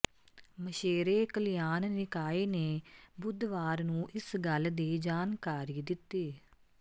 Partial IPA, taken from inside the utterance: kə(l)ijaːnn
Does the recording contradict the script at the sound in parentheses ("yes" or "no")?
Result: no